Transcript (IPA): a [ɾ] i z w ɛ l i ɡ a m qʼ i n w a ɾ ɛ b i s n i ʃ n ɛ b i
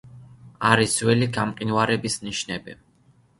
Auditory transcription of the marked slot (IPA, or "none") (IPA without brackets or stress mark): ɾ